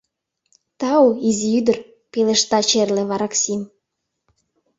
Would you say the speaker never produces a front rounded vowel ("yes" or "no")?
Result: no